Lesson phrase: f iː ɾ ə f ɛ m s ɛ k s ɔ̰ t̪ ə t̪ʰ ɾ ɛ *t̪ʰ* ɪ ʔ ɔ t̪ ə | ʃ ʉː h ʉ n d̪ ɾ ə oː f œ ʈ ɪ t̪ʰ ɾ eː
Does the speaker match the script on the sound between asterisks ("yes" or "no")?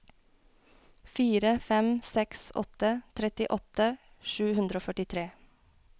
no